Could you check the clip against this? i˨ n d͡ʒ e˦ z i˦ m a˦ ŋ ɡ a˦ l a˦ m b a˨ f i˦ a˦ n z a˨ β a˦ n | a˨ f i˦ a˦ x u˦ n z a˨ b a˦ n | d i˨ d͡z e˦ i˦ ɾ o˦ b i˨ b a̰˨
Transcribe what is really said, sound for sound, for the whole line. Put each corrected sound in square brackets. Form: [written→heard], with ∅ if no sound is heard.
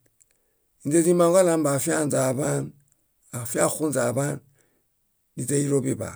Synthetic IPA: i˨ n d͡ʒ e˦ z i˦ m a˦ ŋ ɡ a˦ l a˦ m b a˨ f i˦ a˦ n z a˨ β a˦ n | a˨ f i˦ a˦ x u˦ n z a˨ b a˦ n | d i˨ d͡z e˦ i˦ ɾ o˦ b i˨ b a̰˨